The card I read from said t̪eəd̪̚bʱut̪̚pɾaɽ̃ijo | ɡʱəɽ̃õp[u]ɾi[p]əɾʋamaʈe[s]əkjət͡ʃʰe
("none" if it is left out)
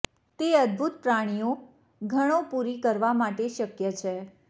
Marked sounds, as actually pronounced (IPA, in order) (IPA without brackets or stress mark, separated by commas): u, k, ʃ